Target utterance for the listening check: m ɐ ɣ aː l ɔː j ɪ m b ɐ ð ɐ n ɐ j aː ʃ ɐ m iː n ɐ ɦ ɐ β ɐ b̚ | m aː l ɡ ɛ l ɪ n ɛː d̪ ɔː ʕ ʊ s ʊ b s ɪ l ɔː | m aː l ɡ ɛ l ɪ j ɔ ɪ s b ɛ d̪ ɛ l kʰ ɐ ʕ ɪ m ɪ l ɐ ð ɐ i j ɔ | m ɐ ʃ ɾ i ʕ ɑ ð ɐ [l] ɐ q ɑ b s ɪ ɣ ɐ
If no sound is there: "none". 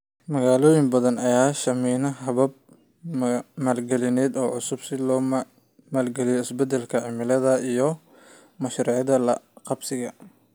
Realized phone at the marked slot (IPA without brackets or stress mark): l